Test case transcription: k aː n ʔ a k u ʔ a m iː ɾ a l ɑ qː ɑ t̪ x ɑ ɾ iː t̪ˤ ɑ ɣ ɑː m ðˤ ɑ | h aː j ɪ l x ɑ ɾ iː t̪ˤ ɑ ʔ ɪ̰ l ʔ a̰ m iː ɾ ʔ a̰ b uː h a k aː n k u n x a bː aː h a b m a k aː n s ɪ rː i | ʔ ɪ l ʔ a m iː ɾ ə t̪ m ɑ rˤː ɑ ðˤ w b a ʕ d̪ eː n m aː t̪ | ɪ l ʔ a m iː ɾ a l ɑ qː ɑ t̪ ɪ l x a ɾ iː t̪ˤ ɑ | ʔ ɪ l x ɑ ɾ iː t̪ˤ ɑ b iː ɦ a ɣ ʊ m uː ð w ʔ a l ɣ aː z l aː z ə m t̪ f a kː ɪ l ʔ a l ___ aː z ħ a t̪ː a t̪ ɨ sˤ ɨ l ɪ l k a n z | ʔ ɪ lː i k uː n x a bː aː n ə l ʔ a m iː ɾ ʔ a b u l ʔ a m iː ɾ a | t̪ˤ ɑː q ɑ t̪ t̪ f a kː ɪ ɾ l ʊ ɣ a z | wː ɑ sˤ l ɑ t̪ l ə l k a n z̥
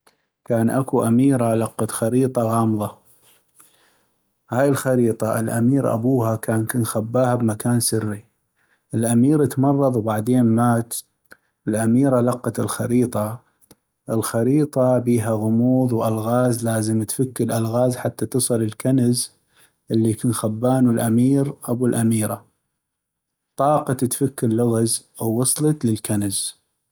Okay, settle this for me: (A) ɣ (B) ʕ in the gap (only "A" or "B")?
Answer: A